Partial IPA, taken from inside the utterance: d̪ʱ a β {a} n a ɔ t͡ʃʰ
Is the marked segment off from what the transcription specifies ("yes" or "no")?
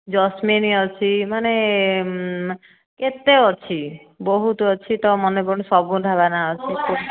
no